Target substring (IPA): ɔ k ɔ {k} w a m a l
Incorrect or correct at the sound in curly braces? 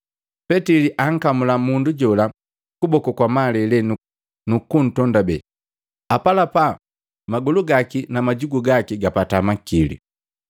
correct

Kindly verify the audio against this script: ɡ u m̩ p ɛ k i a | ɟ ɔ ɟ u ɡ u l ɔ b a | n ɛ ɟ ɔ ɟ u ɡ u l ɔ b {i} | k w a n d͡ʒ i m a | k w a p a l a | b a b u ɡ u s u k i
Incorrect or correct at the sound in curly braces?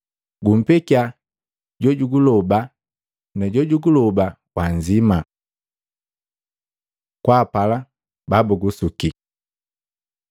incorrect: a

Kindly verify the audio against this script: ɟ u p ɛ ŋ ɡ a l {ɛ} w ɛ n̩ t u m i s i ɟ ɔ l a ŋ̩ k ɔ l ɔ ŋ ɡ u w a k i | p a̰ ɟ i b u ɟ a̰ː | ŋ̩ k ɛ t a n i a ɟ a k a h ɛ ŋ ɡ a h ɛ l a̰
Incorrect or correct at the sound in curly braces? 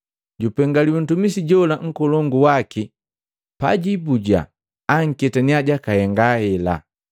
incorrect: i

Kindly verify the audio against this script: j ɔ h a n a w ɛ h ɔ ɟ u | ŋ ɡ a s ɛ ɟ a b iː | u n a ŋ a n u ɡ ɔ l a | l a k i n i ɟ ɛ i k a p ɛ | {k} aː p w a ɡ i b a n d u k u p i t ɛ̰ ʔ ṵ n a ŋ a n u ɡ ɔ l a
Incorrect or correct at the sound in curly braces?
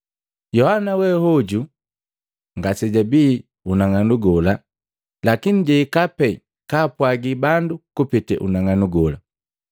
correct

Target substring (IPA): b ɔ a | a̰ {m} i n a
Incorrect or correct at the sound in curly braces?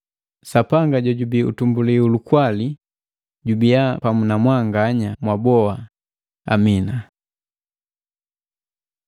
correct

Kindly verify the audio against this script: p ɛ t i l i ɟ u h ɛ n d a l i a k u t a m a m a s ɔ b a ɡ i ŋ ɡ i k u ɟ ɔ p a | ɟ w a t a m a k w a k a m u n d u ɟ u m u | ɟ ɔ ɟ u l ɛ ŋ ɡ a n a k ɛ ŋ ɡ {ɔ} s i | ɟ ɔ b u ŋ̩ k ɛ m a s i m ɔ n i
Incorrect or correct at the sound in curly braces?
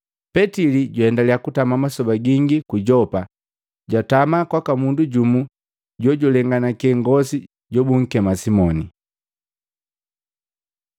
correct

